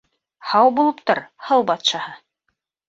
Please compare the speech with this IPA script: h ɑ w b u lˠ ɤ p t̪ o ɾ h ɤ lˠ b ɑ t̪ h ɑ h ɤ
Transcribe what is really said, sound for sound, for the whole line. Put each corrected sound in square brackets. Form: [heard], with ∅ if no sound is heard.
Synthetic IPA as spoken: h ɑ w b u lˠ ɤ p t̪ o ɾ h ɤ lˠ b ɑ t̪ [ʃ] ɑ h ɤ